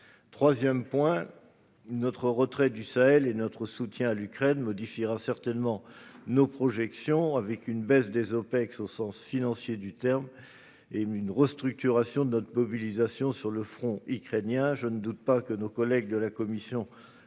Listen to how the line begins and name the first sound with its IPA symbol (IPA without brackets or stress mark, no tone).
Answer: t̪